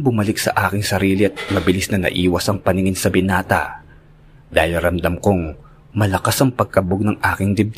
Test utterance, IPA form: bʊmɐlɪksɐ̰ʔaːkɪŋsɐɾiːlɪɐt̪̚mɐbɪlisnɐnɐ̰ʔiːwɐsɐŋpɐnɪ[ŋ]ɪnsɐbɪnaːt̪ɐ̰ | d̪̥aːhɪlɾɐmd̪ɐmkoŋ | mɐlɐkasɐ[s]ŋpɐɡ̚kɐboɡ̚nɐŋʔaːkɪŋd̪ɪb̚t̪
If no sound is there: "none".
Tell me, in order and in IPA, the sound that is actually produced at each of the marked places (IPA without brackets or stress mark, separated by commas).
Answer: ŋ, none